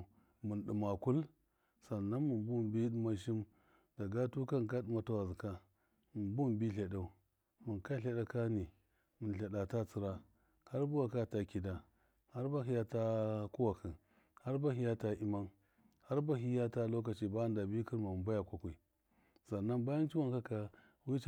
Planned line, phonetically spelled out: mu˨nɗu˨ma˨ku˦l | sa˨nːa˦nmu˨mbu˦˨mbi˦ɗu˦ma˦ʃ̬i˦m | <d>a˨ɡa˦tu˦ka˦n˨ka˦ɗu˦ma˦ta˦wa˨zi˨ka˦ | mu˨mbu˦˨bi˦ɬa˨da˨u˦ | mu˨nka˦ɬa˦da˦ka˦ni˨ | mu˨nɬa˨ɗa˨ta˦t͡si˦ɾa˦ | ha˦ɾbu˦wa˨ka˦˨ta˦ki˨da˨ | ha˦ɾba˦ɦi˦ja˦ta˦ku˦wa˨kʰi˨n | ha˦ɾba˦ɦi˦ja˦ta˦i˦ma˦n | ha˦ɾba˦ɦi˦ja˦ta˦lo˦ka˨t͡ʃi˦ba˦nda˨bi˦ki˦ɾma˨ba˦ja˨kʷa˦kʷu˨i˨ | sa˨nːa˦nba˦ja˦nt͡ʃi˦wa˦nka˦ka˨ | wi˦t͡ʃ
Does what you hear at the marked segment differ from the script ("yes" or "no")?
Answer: no